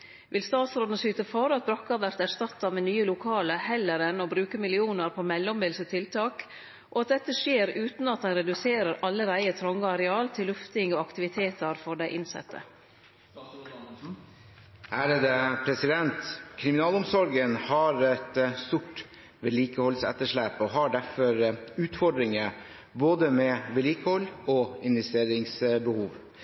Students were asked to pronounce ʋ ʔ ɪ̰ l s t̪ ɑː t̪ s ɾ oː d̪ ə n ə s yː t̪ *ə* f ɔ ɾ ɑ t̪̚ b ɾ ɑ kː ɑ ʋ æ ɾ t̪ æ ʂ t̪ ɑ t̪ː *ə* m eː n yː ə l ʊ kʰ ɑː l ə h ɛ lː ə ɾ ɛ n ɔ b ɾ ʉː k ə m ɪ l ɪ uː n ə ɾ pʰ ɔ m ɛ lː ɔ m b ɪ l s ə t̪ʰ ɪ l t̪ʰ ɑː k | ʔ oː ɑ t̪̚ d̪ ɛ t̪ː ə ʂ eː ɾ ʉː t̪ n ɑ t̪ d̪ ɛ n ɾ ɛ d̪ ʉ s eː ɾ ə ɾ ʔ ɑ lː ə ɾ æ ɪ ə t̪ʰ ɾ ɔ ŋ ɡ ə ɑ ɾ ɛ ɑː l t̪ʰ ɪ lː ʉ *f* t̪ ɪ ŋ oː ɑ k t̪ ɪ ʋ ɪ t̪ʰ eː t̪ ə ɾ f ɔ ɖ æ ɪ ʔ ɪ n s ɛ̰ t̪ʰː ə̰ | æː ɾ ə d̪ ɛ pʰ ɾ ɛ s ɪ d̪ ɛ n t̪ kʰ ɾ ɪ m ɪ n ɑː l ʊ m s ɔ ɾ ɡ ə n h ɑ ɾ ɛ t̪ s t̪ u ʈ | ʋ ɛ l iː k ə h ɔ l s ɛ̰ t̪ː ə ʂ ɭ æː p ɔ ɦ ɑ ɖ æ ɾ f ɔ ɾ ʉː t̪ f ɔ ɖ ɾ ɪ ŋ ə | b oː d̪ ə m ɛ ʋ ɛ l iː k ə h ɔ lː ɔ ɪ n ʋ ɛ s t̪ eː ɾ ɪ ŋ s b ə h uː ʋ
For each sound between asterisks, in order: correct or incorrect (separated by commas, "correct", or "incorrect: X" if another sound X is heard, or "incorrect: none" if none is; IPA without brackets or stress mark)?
correct, incorrect: ɑ, correct